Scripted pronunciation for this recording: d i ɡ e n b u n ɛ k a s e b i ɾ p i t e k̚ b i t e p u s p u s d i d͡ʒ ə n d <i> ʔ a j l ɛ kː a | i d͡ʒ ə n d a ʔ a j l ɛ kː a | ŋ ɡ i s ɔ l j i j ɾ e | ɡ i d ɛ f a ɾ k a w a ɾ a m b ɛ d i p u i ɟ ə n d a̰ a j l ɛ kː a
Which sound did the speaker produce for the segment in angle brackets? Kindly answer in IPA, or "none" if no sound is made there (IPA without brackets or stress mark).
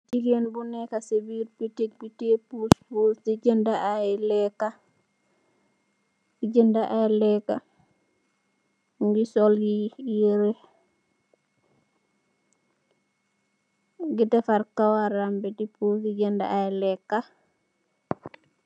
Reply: a